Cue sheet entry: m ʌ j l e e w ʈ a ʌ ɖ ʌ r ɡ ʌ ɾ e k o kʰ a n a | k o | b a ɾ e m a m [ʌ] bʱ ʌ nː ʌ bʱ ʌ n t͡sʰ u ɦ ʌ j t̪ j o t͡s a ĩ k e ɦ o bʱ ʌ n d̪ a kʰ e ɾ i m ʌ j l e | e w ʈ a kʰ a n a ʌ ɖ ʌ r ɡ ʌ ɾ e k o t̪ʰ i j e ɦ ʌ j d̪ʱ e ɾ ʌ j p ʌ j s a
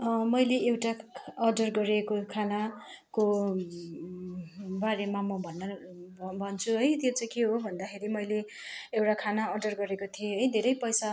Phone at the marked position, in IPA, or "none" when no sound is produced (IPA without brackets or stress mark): ʌ